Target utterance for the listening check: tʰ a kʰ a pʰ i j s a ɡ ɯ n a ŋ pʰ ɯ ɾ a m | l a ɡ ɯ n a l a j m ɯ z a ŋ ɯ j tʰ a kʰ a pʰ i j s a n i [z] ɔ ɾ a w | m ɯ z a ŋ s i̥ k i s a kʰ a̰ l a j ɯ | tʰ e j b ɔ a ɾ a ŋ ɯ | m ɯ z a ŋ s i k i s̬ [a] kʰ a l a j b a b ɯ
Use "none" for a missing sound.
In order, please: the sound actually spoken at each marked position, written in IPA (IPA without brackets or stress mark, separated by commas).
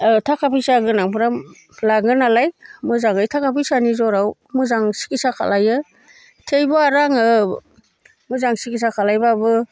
z, a